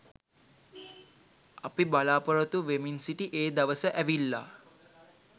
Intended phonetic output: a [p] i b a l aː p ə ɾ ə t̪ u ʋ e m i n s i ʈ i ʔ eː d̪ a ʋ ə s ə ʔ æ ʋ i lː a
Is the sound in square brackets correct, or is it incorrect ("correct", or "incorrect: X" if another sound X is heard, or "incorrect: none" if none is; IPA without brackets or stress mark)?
correct